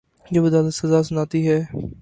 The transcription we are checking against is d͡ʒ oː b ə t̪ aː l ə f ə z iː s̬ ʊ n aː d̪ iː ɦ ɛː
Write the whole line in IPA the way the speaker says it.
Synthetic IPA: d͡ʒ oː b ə d̪ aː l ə s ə z aː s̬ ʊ n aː t̪ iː ɦ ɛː